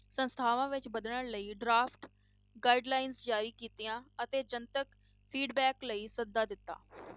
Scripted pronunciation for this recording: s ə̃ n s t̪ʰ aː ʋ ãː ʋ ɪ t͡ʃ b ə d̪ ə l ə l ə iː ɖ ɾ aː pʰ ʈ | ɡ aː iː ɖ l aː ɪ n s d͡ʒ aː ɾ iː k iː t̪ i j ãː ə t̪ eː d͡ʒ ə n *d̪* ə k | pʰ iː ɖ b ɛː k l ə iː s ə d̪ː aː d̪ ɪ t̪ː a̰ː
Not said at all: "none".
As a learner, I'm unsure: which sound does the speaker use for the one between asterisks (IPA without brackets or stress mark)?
t̪